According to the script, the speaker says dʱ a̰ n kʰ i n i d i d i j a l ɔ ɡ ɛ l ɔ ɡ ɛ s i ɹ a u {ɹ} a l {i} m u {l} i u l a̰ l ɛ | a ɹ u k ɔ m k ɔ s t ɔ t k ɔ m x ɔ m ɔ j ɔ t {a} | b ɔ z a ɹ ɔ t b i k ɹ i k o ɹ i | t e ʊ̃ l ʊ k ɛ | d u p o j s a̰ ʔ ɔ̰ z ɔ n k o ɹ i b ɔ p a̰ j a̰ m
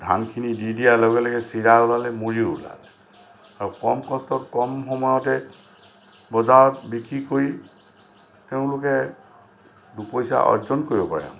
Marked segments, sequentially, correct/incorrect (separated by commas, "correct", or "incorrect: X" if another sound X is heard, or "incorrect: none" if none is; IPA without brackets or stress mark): incorrect: l, incorrect: ɛ, incorrect: ɹ, incorrect: ɛ